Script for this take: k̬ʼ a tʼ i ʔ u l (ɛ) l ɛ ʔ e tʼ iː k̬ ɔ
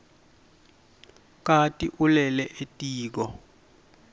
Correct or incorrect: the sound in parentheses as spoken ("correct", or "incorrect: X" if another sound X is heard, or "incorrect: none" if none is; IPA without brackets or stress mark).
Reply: correct